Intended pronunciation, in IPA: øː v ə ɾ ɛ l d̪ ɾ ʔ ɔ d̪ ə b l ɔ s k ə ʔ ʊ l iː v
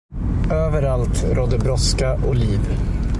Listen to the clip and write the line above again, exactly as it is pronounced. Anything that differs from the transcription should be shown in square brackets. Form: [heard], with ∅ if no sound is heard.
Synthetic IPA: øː v ə ɾ [a] l [t̪] ɾ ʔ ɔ d̪ ə b [ɾ] ɔ s k [a] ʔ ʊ l iː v